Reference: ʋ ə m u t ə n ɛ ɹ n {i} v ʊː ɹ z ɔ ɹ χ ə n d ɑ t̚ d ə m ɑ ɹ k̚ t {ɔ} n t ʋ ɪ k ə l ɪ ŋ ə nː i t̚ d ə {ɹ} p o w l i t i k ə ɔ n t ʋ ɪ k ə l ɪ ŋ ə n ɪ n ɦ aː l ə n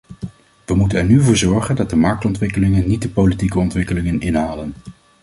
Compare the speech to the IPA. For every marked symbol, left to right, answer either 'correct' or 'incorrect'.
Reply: incorrect, correct, incorrect

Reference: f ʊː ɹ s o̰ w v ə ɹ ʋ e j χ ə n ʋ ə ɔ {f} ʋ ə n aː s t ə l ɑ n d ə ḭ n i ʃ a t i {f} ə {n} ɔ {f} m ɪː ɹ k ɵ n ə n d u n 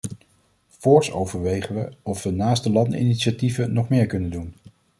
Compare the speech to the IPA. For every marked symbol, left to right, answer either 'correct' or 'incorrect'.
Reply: correct, incorrect, correct, incorrect

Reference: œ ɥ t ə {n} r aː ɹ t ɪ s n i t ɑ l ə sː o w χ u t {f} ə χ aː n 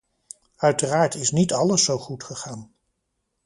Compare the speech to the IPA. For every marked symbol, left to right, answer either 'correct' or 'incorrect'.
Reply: incorrect, incorrect

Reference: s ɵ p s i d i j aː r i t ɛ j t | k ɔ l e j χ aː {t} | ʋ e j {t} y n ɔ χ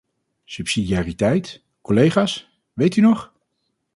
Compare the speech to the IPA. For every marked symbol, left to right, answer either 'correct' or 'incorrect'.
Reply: incorrect, correct

